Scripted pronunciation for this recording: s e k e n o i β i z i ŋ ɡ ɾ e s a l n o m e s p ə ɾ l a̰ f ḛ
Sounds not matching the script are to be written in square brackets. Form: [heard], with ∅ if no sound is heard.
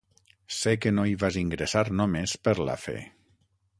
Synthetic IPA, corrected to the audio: s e k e n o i β [a] z i ŋ ɡ ɾ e s a [ɾ] n o m e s p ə ɾ l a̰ f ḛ